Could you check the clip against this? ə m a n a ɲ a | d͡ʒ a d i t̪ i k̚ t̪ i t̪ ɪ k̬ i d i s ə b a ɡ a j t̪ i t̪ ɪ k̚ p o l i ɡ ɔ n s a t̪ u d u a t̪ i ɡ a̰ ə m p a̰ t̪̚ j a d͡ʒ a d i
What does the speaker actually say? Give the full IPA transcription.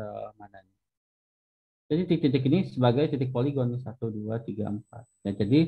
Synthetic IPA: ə m a n a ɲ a | d͡ʒ a d i t̪ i k̚ t̪ i t̪ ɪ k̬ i n i s ə b a ɡ a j t̪ i t̪ ɪ k̚ p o l i ɡ ɔ n s a t̪ u d u a t̪ i ɡ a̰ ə m p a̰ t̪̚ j a d͡ʒ a d i